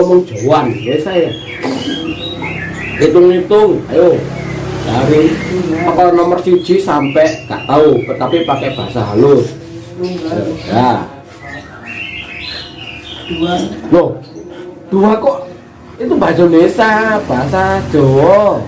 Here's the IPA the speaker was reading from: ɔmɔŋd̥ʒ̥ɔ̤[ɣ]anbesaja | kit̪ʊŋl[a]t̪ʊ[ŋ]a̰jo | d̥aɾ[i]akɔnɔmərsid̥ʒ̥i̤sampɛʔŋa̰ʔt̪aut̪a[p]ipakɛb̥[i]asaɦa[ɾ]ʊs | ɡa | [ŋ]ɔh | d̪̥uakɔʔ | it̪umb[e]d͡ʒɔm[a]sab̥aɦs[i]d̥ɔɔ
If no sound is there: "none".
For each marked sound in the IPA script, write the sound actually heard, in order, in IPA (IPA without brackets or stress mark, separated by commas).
w, i, ŋ, i, p, a, l, n, a, e, a